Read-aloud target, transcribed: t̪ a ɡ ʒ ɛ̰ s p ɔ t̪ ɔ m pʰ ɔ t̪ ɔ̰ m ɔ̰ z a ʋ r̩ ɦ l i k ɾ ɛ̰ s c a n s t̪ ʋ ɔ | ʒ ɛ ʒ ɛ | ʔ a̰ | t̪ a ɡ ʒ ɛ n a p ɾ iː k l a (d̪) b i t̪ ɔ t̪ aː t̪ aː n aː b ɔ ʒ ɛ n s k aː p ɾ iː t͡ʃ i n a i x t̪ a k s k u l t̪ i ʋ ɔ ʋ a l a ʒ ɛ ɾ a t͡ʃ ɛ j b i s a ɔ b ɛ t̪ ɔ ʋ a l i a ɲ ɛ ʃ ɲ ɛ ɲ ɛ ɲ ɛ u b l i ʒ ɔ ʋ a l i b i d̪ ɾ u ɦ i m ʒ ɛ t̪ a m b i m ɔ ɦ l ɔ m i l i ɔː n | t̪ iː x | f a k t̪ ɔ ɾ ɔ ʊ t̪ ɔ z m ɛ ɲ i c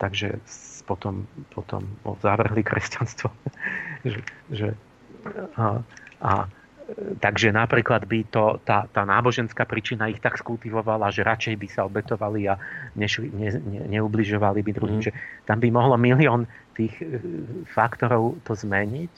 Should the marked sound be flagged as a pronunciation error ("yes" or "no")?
no